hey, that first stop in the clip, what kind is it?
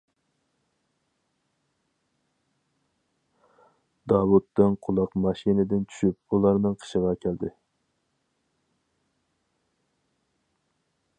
plain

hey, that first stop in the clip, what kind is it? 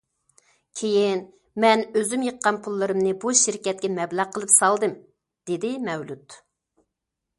aspirated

